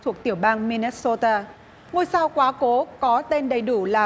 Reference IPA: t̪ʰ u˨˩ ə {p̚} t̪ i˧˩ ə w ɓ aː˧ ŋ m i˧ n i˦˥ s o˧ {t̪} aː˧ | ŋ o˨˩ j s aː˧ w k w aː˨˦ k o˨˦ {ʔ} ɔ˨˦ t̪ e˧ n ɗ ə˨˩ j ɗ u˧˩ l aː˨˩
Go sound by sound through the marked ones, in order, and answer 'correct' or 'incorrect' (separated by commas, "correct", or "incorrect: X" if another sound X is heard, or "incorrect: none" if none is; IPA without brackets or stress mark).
incorrect: k̚, correct, incorrect: k